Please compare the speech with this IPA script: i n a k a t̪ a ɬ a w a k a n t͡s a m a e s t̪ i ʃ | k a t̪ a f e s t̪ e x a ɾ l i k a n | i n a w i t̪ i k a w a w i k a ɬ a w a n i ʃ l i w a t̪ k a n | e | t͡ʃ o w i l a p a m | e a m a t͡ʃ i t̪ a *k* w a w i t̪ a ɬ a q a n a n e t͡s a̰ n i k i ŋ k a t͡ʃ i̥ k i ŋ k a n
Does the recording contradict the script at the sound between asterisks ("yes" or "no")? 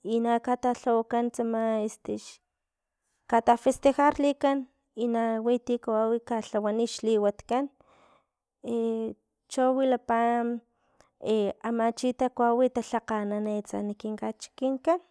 no